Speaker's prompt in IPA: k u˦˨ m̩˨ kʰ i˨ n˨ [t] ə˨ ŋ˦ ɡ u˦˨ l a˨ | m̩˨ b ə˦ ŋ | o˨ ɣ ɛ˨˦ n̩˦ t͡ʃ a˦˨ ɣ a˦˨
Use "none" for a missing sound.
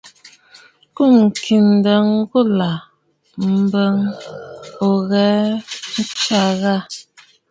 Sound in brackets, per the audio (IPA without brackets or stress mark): d